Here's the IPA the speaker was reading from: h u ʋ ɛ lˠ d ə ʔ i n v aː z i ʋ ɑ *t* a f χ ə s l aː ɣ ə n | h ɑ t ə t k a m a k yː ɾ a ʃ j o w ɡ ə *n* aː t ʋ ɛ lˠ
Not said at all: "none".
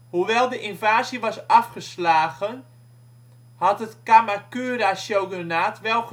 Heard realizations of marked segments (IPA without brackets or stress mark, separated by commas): s, n